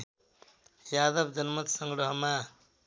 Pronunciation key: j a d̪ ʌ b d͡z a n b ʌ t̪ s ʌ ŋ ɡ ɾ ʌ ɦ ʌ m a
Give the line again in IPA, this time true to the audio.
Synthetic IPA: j a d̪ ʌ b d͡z ʌ n m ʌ t̪ s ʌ ŋ ɡ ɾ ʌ ɦ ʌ m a